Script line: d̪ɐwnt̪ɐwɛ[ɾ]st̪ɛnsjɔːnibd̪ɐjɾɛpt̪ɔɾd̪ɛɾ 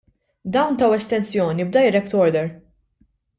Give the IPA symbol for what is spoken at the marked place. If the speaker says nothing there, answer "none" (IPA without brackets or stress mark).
none